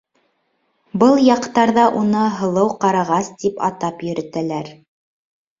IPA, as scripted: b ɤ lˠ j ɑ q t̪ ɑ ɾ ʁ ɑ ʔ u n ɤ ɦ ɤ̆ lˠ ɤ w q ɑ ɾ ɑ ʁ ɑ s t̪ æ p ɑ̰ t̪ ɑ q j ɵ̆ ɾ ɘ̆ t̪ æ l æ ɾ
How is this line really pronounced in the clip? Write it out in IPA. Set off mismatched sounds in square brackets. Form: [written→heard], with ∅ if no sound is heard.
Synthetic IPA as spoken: b ɤ lˠ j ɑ q t̪ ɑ ɾ [ʁ→ð] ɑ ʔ u n ɤ ɦ ɤ̆ lˠ ɤ w q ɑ ɾ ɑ ʁ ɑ s t̪ [æ→i] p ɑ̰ t̪ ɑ [q→p] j ɵ̆ ɾ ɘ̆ t̪ æ l æ ɾ